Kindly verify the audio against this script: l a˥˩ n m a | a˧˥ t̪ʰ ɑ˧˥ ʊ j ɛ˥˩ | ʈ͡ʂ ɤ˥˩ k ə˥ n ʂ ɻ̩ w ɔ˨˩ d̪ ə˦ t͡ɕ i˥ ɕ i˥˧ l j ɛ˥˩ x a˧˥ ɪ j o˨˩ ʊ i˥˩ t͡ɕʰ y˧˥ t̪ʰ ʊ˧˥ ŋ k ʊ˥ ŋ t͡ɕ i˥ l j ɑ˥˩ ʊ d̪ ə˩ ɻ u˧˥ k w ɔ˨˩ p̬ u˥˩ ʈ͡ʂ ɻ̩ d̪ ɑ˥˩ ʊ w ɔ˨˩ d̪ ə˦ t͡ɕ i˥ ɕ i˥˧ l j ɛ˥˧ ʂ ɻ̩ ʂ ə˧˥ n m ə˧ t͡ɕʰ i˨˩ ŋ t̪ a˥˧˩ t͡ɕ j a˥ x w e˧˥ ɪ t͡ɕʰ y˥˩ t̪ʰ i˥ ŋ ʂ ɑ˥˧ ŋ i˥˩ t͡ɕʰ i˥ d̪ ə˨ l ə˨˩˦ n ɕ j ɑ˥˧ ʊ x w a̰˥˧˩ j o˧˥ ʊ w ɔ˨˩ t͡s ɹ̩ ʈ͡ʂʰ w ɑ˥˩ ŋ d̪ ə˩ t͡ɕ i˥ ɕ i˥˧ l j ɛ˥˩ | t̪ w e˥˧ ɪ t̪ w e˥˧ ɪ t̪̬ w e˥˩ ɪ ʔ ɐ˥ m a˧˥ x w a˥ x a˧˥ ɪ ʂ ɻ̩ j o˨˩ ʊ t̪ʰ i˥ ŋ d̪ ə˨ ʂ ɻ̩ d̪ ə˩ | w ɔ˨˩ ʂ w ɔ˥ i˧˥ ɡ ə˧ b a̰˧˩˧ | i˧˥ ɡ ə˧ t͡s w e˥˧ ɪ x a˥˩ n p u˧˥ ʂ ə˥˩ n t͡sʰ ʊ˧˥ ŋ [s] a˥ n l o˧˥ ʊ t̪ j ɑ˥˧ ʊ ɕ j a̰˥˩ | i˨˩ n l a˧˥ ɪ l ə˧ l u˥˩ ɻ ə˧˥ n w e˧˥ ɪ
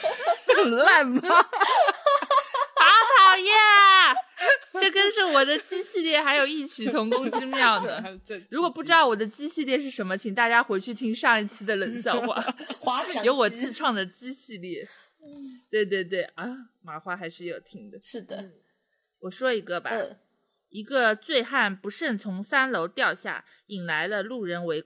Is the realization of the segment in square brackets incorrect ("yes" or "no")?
no